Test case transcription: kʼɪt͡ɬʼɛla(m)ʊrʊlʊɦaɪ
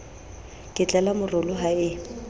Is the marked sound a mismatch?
no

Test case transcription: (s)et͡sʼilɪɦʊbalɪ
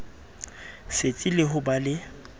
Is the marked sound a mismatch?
no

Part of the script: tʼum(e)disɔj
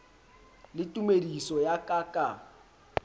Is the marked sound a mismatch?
no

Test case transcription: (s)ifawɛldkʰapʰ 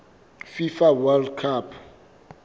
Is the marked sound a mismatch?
yes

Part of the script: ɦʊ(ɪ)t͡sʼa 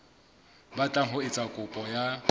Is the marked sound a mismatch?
no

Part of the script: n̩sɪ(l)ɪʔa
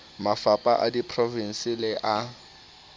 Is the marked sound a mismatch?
no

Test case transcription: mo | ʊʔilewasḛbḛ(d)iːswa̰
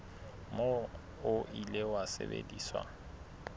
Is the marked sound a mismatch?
no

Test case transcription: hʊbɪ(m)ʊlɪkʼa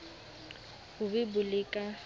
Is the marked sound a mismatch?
yes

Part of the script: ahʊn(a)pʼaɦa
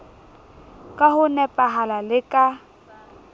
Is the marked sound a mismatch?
yes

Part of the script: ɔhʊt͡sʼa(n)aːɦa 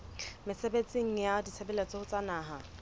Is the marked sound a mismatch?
no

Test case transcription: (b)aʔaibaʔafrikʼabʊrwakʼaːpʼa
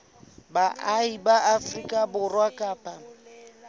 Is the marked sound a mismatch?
no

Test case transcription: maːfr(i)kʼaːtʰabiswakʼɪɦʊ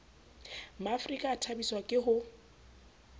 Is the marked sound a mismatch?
no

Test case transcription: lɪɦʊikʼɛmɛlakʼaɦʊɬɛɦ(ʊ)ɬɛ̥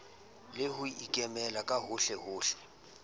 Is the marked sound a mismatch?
yes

